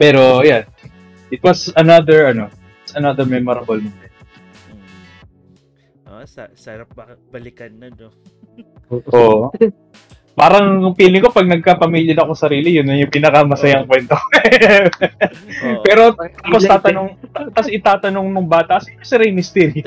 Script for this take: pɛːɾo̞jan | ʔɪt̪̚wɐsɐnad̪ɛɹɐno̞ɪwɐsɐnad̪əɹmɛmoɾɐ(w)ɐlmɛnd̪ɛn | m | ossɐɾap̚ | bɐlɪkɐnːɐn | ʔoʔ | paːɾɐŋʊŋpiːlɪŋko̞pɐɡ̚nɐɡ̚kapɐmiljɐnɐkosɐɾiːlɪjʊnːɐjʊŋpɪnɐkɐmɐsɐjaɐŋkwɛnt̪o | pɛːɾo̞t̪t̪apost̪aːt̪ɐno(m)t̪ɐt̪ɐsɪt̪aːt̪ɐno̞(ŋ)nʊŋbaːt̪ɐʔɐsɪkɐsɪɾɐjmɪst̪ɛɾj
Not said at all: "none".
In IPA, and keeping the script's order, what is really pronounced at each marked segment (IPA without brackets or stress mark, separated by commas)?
b, ŋ, ŋ